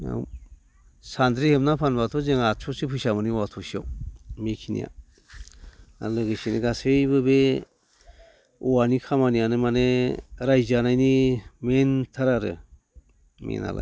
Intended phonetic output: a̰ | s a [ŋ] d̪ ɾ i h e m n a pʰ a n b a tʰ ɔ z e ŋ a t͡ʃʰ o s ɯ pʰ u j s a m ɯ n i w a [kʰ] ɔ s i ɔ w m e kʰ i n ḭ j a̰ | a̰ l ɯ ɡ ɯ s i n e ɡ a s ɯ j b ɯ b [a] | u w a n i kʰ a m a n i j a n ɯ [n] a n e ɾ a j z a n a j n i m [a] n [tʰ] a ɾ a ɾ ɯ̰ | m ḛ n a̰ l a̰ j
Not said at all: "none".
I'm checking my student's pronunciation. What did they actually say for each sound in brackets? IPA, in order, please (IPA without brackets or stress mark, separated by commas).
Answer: n, tʰ, e, m, e, tʰ